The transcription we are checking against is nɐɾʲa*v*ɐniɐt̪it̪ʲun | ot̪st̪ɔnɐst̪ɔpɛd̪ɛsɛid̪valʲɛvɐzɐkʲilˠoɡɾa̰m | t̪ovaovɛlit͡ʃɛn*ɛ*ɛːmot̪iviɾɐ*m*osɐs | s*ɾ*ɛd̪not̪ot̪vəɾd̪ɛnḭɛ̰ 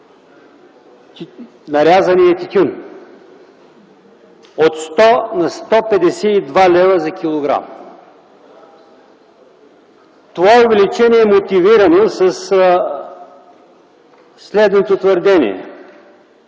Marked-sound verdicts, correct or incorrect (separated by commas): incorrect, incorrect, incorrect, incorrect